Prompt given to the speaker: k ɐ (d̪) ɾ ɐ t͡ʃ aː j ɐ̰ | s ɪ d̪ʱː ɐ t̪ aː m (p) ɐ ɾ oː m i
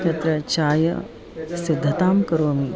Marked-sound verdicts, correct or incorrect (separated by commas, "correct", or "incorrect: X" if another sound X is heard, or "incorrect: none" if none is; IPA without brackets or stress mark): incorrect: t̪, incorrect: k